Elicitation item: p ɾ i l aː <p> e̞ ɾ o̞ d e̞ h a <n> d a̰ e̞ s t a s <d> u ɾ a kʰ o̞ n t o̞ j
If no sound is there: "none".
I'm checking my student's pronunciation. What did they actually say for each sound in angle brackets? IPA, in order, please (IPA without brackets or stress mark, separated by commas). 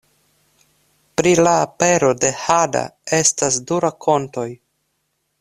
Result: p, none, d